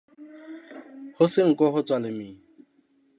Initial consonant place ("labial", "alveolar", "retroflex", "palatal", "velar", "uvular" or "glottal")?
glottal